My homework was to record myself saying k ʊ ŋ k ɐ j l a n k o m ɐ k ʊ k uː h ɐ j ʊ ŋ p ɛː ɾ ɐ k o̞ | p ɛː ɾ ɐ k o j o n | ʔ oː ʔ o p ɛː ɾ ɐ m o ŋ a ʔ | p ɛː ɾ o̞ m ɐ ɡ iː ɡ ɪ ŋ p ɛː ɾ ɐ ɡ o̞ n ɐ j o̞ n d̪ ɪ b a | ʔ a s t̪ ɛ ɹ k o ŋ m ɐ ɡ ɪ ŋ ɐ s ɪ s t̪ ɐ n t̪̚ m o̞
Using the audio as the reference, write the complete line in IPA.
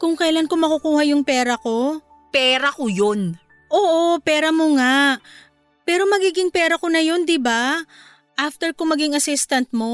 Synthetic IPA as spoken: k ʊ ŋ k ɐ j l a n k o m ɐ k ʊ k uː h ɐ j ʊ ŋ p ɛː ɾ ɐ k o̞ | p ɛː ɾ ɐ k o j o n | ʔ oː ʔ o p ɛː ɾ ɐ m o ŋ a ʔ | p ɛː ɾ o̞ m ɐ ɡ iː ɡ ɪ ŋ p ɛː ɾ ɐ k o̞ n ɐ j o̞ n d̪ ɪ b a | ʔ a f t̪ ɛ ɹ k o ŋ m ɐ ɡ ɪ ŋ ɐ s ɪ s t̪ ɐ n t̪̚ m o̞